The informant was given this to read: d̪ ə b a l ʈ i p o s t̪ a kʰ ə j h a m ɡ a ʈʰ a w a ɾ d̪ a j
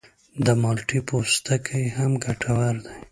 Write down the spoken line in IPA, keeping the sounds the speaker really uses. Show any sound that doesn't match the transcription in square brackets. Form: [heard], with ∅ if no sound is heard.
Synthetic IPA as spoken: d̪ ə [m] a l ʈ i p o s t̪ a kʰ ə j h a m ɡ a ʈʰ a w a ɾ d̪ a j

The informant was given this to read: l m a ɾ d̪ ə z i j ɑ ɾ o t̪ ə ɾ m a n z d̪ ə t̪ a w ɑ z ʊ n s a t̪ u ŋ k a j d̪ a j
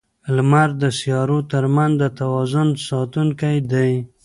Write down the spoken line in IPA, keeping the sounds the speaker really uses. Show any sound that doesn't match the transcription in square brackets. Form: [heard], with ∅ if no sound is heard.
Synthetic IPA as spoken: l m a ɾ d̪ ə [s] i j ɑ ɾ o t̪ ə ɾ m a n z d̪ ə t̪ a w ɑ z ʊ n s [ɑ] t̪ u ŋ k a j d̪ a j

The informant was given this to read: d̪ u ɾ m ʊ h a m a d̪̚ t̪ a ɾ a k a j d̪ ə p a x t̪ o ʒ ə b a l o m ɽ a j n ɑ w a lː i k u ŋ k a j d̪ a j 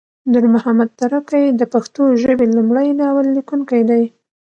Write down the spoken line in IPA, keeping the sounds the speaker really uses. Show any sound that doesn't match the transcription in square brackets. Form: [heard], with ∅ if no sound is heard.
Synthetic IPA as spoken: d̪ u ɾ m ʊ h a m a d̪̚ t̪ a ɾ a k a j d̪ ə p a x t̪ o ʒ ə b [e] l [u] m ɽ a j n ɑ w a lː i k u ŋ k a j d̪ a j

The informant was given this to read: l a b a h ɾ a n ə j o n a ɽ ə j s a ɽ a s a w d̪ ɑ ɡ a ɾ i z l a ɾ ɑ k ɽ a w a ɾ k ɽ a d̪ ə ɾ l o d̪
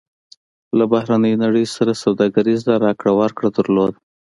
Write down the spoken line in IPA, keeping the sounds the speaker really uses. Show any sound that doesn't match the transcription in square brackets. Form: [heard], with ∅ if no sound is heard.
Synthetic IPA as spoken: l a b a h ɾ a n ə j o n a ɽ ə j s a [ɾ] a s a w d̪ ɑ ɡ a ɾ i z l a ɾ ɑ k ɽ a w a ɾ k ɽ a d̪ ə ɾ l o d̪

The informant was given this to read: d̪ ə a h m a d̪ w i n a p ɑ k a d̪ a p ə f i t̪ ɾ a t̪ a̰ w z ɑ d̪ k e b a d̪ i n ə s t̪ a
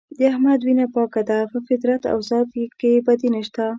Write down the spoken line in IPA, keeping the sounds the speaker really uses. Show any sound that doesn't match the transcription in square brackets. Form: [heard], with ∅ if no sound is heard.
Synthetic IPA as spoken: d̪ ə a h m a d̪ w i n a p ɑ k a d̪ a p ə f [ɪ] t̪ ɾ a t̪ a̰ w z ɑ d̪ k e b a d̪ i n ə [ʃ] t̪ a

